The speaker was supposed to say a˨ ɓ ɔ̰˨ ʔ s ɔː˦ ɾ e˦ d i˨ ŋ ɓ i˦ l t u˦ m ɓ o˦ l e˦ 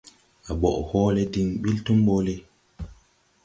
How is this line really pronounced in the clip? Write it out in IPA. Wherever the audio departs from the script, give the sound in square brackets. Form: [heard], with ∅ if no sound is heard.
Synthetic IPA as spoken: a˨ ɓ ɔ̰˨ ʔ [h] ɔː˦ [l] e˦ d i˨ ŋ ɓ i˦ l t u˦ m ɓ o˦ l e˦